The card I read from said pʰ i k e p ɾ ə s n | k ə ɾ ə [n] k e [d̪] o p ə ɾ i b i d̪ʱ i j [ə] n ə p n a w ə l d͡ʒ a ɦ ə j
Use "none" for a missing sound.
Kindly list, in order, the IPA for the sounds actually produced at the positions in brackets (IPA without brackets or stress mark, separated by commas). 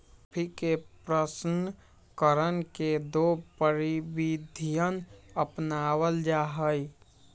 n, d̪, ə